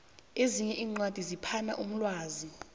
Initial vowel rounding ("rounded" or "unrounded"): unrounded